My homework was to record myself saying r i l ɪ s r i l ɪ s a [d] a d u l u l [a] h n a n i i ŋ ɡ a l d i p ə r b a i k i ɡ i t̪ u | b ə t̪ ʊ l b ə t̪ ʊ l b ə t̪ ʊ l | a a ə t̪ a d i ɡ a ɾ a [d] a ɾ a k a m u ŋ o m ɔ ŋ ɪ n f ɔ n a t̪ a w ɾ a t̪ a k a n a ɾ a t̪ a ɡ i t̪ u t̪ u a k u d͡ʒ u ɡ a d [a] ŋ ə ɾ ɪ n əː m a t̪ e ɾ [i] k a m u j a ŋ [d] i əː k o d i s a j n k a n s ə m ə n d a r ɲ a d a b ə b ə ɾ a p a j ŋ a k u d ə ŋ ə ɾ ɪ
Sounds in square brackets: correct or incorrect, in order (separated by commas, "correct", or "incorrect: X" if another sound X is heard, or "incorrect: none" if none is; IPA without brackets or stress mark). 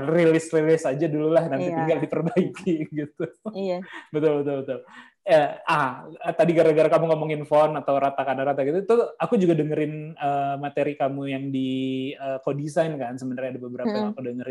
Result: incorrect: d͡ʒ, correct, incorrect: ɡ, incorrect: ə, correct, correct